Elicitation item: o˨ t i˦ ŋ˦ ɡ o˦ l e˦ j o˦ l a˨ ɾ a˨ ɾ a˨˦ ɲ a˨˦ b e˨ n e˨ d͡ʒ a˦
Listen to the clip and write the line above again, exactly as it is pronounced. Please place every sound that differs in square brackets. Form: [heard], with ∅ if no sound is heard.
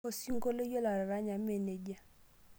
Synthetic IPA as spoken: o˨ [s] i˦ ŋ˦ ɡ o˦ l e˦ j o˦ l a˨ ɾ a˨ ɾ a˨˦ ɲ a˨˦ [m] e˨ n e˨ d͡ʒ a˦

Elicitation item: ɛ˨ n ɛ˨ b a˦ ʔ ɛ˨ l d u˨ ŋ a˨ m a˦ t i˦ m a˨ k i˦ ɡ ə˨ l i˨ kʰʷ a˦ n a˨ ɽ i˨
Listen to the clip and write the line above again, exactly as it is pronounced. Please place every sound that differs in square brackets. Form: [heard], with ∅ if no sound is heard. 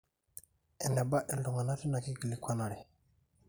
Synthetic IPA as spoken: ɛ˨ n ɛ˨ b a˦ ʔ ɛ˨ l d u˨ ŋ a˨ [n] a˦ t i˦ [n] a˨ k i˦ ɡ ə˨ l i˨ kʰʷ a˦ n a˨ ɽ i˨

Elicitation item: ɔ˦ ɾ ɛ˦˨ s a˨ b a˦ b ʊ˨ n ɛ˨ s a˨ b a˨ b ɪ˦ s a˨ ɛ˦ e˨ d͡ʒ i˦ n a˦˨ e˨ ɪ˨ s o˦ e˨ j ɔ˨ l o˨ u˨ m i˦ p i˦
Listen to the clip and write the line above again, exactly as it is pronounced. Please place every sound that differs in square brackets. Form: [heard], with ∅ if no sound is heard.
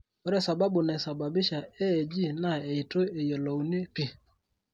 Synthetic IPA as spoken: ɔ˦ ɾ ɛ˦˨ s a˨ b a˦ b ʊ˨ n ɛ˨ s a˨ b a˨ b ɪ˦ [ʃ] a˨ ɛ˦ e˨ d͡ʒ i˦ n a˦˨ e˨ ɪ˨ [t] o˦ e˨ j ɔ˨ l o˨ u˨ [n] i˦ p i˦

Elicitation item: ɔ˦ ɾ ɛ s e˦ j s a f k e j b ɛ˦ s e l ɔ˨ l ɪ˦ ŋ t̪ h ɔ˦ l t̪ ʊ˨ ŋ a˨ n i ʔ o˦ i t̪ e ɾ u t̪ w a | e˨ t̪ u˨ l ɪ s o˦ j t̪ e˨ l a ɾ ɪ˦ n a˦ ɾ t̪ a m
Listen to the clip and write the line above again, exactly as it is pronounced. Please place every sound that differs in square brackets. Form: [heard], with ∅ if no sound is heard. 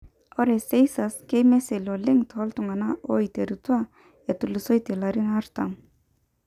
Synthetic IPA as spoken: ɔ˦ ɾ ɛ s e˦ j s a [s] k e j [m] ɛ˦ s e l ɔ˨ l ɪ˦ ŋ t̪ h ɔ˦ l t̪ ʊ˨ ŋ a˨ n [a] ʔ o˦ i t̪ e ɾ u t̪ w a | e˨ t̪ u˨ l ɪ s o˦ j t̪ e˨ l a ɾ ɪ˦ n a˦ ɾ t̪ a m

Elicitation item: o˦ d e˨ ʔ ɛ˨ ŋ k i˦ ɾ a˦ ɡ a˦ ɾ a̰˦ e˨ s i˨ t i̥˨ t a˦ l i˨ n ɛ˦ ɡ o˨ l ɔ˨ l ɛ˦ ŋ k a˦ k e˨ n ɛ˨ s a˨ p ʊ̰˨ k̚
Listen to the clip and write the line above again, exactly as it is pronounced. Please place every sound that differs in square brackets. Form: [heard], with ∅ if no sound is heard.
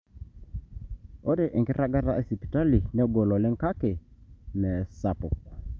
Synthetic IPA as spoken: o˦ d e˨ ʔ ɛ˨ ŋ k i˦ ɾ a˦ ɡ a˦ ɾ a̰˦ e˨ s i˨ [p] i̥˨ t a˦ l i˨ n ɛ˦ ɡ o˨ l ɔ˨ l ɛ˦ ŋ k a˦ k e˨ n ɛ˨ s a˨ p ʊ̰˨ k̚

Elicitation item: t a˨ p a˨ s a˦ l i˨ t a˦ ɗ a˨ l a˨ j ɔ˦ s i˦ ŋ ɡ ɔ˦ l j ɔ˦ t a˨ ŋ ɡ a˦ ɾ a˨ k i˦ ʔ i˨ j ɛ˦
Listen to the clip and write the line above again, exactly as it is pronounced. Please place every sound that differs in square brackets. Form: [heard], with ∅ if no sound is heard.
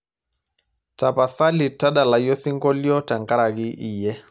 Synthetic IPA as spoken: t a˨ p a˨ s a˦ l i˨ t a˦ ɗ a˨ l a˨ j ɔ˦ s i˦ ŋ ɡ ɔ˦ l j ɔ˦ t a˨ ŋ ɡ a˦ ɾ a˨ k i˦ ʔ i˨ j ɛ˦

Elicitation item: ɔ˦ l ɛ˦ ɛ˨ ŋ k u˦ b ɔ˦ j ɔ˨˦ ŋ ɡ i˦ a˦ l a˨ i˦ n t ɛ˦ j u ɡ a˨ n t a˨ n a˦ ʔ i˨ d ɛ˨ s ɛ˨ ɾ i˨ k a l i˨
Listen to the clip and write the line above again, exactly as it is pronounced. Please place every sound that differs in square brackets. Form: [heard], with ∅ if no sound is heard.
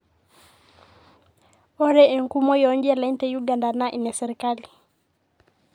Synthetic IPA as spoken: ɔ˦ [ɾ] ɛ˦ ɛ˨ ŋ k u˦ [m] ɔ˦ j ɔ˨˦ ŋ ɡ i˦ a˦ l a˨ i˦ n t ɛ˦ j u ɡ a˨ n [d] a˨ n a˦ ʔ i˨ [n] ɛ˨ s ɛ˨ ɾ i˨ k a l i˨

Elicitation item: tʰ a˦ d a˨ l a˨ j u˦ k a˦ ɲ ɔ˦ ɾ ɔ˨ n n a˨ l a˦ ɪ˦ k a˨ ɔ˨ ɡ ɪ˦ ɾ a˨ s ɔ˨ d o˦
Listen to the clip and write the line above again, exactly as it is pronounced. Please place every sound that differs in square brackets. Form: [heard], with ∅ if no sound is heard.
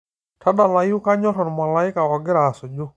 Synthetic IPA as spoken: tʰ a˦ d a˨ l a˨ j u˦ k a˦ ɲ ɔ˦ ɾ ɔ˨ n [m] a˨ l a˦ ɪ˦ k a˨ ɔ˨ ɡ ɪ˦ ɾ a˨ s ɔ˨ [d͡ʒ] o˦

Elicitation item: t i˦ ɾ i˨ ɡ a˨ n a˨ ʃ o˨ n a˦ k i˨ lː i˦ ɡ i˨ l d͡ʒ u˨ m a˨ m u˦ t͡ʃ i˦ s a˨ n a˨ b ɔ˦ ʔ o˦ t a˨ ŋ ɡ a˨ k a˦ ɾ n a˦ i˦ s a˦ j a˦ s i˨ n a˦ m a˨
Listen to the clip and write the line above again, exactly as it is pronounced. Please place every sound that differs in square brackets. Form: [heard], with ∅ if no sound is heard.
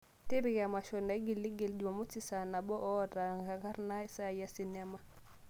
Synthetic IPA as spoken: t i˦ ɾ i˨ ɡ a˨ [m] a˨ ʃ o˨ n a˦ [ɡ] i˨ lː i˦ ɡ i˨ l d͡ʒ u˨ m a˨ m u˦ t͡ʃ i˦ s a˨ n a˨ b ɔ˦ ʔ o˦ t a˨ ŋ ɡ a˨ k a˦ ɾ n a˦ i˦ s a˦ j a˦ s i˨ n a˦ m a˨

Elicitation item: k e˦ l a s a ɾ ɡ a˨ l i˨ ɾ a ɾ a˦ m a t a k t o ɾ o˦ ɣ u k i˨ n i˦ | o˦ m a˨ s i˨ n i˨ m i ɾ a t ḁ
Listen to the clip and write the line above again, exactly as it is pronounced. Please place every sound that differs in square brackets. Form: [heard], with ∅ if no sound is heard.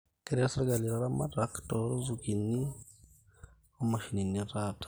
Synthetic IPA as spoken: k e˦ [ɾ] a s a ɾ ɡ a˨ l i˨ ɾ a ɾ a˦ m a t a k t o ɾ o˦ [z] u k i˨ n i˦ | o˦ m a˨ [ʃ] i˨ n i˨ [n] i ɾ a t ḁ

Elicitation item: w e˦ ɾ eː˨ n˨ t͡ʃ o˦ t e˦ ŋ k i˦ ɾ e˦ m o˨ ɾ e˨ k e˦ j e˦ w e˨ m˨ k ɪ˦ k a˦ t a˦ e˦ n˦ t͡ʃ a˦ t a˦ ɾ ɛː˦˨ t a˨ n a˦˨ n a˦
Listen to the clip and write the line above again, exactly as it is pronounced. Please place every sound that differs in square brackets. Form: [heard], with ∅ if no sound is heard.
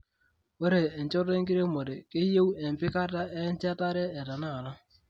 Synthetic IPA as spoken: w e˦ ɾ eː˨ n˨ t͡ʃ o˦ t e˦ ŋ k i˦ ɾ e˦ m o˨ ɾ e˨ k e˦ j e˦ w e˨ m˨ [p] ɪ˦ k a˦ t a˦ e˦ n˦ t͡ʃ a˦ t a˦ ɾ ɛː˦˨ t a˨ n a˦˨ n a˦

